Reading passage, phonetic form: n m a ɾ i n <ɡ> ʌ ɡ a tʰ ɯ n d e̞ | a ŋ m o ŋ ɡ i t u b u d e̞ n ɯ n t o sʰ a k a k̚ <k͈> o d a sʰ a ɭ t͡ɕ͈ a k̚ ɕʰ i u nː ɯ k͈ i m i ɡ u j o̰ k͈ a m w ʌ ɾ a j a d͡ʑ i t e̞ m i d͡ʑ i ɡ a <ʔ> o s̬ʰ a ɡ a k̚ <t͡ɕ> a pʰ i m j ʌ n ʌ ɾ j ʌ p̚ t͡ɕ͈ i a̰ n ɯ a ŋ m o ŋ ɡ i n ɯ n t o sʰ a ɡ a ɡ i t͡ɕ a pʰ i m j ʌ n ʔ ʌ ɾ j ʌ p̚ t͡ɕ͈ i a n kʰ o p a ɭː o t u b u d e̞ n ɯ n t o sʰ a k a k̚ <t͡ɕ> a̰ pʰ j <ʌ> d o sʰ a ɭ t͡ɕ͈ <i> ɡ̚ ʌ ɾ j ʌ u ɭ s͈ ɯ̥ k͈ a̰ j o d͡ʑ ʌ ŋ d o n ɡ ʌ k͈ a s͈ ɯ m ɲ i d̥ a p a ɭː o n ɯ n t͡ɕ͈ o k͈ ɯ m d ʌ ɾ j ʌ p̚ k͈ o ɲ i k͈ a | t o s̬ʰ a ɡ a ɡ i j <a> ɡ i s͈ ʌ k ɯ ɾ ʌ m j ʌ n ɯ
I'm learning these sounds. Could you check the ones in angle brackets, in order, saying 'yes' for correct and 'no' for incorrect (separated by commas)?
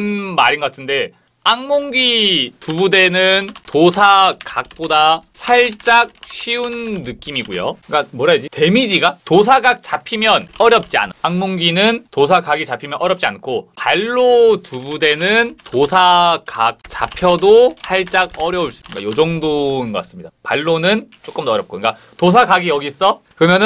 yes, no, no, yes, yes, yes, no, no